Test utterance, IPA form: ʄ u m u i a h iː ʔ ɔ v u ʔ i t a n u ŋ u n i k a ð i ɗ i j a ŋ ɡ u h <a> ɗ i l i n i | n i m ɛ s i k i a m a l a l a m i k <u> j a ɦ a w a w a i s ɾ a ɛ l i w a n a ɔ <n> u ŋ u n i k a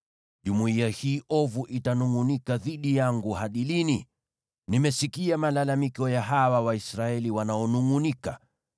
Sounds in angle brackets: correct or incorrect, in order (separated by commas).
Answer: correct, incorrect, correct